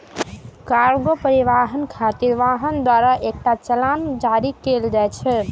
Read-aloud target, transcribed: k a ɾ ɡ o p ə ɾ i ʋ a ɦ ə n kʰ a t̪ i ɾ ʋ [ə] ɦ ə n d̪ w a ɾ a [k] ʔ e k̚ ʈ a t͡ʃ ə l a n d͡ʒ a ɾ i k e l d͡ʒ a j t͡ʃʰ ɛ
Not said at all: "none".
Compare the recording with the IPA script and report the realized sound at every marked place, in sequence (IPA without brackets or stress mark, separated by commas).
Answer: a, none